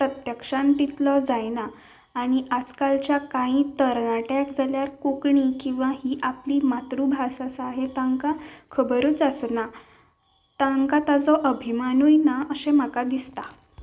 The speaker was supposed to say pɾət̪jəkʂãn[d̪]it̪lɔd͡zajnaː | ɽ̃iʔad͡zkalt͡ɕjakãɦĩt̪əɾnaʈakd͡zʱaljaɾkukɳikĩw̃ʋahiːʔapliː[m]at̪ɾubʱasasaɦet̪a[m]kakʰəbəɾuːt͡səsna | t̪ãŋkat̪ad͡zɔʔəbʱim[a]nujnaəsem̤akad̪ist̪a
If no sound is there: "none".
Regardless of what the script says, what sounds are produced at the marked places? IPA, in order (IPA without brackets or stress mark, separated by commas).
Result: t̪, m, ŋ, a